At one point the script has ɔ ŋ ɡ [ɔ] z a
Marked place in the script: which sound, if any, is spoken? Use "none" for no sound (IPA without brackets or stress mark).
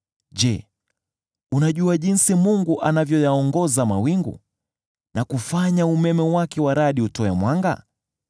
ɔ